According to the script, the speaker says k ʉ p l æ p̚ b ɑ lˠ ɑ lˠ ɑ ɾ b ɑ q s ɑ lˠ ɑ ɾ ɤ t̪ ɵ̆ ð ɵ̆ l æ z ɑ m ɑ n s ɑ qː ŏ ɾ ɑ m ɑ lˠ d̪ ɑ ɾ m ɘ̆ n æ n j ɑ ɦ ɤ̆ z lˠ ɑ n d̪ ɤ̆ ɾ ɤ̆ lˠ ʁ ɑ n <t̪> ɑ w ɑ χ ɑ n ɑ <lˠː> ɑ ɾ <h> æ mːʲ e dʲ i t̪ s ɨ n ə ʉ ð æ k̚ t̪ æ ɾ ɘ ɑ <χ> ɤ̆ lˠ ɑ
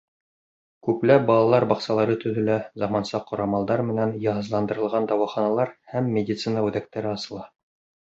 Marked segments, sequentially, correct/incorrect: incorrect: d̪, incorrect: lˠ, correct, incorrect: s

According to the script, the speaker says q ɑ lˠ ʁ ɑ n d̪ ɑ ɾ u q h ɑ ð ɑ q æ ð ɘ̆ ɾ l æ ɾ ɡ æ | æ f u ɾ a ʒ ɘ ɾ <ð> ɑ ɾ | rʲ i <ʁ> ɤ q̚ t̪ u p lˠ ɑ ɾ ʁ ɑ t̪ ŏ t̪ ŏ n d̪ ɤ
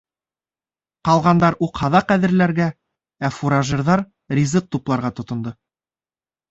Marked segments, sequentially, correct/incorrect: correct, incorrect: z

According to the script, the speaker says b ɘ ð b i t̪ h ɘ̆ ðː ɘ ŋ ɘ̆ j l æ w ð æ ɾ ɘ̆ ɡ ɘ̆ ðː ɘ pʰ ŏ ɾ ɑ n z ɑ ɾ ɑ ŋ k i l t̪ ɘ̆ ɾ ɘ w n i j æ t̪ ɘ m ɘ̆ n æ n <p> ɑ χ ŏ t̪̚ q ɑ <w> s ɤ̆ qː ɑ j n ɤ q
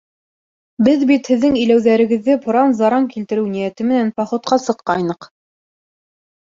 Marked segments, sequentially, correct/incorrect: correct, incorrect: none

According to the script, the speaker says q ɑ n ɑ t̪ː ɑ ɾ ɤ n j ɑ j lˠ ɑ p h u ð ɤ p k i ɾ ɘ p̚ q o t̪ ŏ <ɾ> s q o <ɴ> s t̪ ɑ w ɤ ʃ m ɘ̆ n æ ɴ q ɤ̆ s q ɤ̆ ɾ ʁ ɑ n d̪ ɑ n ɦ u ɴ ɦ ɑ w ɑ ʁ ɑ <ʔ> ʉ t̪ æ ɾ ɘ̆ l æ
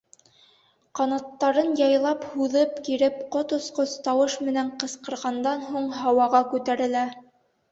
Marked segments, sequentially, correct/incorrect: incorrect: none, incorrect: none, incorrect: k

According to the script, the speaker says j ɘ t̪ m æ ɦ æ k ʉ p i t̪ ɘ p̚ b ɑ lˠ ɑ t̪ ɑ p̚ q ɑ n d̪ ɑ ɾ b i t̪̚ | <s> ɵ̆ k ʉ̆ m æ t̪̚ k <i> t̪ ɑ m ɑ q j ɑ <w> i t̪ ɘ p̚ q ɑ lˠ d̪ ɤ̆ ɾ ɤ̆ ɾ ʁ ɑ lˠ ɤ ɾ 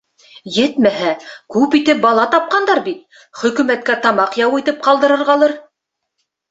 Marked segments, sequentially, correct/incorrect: incorrect: χ, incorrect: æ, correct

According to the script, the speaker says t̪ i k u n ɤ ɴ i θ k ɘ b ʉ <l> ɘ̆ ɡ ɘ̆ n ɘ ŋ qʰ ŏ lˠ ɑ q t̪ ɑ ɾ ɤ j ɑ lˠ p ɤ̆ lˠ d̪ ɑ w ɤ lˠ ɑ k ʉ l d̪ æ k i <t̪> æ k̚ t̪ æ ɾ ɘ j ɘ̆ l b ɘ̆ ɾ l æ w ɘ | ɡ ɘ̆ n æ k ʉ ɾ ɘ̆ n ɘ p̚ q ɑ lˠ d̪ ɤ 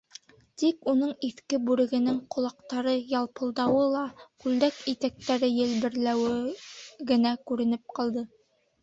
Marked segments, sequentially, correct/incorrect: incorrect: ɾ, correct

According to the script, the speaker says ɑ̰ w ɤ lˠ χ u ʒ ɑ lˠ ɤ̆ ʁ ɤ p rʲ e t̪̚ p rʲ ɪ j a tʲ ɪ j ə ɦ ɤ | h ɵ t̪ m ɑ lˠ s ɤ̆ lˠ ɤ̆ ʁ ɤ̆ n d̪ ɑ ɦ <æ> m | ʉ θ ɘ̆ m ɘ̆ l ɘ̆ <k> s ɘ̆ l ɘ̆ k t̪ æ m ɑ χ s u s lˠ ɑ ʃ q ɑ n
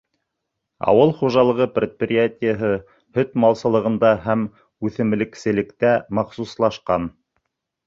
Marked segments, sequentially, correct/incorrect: correct, correct

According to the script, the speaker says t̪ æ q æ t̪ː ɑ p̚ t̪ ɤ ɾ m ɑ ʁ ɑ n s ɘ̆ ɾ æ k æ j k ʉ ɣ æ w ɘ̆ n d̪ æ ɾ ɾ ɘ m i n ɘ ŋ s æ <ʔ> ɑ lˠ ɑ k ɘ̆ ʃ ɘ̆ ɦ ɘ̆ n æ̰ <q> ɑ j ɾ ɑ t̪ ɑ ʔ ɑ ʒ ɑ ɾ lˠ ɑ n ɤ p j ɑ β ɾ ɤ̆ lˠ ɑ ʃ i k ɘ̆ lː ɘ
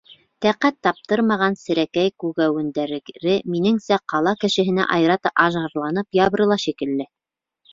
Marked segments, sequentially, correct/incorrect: incorrect: q, incorrect: ʔ

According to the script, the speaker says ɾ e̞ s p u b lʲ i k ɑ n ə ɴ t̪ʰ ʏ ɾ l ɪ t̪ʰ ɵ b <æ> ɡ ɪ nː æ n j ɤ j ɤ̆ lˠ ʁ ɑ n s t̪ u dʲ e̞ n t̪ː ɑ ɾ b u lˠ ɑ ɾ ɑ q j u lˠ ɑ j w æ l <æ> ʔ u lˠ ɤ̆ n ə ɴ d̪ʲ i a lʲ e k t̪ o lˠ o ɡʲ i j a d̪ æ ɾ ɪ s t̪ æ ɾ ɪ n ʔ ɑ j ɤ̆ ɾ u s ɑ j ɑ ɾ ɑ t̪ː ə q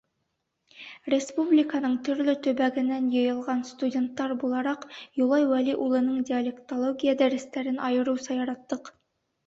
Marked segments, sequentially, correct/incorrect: correct, incorrect: i

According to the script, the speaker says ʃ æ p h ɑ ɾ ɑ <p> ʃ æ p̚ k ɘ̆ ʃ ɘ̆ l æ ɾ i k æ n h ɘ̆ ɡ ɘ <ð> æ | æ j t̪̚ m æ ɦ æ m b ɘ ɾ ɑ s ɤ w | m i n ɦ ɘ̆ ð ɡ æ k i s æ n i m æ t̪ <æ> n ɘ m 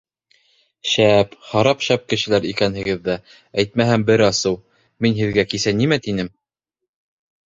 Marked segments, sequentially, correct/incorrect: correct, incorrect: ðː, incorrect: i

